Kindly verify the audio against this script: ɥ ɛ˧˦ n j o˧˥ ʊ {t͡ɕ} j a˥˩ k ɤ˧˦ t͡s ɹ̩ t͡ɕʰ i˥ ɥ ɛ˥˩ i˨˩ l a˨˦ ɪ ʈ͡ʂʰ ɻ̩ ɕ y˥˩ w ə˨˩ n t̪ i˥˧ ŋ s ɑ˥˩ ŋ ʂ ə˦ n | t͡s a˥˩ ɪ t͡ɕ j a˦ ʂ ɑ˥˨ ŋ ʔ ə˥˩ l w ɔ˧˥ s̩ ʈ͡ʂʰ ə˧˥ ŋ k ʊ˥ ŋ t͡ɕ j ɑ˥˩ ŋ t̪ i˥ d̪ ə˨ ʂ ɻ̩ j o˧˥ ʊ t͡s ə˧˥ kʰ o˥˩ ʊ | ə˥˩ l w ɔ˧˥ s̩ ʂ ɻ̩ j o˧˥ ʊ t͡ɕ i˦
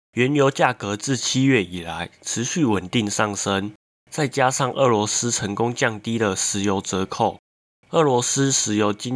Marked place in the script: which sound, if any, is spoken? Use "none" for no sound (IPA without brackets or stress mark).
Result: t͡ɕ